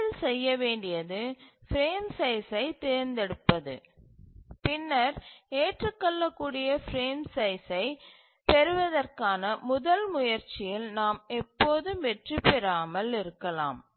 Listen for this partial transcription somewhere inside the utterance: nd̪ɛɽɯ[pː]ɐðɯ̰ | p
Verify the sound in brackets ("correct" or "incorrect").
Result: correct